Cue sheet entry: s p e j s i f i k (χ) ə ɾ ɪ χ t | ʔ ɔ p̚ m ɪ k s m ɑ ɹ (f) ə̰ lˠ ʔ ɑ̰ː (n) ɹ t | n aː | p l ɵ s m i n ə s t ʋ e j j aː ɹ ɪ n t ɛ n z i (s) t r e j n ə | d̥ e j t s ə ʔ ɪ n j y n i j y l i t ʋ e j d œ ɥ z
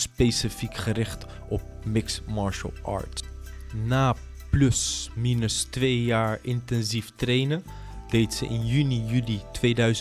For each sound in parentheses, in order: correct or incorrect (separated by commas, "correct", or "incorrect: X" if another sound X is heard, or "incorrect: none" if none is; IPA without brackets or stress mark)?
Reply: correct, incorrect: ʃ, incorrect: none, incorrect: f